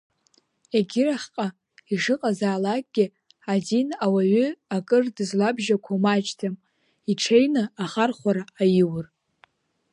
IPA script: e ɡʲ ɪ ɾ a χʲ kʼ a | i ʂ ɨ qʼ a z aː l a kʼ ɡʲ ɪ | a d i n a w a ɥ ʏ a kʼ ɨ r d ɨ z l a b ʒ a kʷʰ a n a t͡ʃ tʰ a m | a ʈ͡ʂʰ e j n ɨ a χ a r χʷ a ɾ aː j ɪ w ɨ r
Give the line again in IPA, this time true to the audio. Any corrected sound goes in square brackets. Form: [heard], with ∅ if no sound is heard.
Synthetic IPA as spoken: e ɡʲ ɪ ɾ a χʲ [qʼ] a | i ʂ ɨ qʼ a z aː l a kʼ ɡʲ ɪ | a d i n a w a ɥ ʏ a kʼ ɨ r d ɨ z l a b ʒ a kʷʰ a [m] a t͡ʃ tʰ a m | [i] ʈ͡ʂʰ e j n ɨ a χ a r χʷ a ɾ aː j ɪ w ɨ r